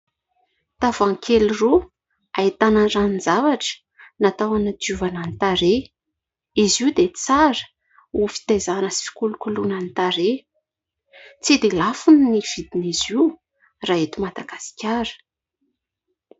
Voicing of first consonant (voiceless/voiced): voiceless